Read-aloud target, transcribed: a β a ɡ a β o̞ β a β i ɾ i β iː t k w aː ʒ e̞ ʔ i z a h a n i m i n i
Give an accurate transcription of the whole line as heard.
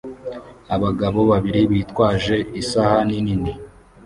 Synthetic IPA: a β a ɡ a β o̞ β a β i ɾ i β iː t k w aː ʒ e̞ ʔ i s a h a n i n i n i

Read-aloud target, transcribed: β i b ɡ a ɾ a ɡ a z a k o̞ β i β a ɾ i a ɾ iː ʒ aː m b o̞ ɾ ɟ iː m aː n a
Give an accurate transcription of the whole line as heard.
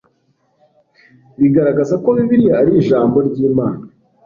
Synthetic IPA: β i ɡ a ɾ a ɡ a z a k o̞ β i β i ɾ i a ɾ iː ʒ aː m b o̞ ɾ ɟ iː m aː n a

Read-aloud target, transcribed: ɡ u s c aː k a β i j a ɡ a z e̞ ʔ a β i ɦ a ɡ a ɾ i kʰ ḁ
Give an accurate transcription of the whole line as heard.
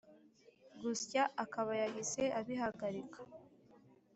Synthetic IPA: ɡ u s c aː k a β a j a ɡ i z e̞ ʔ a β i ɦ a ɡ a ɾ i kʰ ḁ

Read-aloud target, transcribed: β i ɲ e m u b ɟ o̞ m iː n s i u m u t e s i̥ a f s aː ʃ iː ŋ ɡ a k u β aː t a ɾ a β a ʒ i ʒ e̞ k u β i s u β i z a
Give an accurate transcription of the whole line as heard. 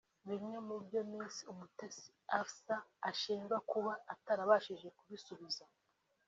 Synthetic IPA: β i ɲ e m u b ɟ o̞ m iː n s i u m u t e s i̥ a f s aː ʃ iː ŋ ɡ a k u β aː t a ɾ a β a ʃ i ʒ e̞ k u β i s u β i z a

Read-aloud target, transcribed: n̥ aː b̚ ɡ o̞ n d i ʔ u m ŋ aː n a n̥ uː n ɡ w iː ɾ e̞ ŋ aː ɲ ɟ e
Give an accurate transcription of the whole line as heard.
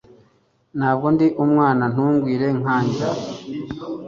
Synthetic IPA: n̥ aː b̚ ɡ o̞ n d i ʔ u m ŋ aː n a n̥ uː ŋ ɡ w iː ɾ e̞ ŋ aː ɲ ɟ a

